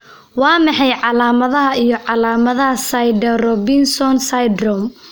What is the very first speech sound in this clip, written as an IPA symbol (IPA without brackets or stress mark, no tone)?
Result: w